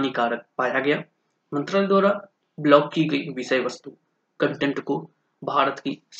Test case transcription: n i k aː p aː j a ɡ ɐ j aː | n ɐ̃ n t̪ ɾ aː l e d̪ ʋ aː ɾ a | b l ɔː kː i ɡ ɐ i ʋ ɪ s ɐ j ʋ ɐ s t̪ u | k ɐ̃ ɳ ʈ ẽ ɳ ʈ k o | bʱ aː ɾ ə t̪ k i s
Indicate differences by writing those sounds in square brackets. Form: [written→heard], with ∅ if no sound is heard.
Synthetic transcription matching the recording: n i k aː p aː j a ɡ ɐ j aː | [n→m] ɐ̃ n t̪ ɾ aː l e d̪ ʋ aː ɾ a | b l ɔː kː i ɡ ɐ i ʋ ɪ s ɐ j ʋ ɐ s t̪ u | k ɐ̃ ɳ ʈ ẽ ɳ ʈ k o | bʱ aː ɾ ə t̪ k i s